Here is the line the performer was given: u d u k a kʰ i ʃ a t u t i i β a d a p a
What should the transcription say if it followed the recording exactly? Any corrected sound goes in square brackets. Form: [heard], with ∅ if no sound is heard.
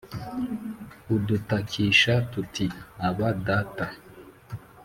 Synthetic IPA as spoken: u d u [t] a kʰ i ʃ a t u t i [a] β a d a [t] a